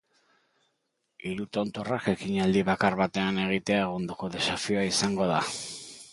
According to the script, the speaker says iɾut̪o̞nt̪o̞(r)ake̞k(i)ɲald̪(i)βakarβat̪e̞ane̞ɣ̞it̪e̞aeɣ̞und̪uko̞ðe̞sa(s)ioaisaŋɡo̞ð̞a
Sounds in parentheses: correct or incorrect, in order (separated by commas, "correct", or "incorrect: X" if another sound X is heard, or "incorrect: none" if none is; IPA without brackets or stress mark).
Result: correct, correct, correct, incorrect: f